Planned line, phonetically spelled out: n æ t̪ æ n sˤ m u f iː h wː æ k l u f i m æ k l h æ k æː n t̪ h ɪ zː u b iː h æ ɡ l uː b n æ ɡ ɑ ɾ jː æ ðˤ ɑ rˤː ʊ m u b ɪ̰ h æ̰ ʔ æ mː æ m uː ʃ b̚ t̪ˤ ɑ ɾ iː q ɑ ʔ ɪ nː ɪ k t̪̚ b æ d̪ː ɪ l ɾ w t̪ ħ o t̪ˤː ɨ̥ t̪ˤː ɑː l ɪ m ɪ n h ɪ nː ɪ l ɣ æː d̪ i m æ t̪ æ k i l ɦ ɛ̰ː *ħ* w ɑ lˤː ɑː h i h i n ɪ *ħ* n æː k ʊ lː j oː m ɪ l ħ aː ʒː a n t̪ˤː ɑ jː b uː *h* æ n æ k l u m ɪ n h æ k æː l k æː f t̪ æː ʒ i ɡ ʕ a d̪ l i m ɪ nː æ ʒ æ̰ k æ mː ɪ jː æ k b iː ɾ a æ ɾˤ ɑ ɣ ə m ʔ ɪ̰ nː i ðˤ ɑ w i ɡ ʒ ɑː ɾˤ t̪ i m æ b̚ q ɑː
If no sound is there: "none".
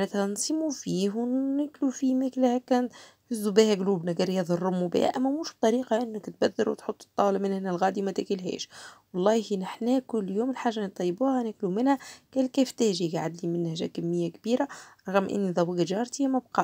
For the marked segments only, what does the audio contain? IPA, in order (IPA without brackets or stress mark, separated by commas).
ʃ, ħ, h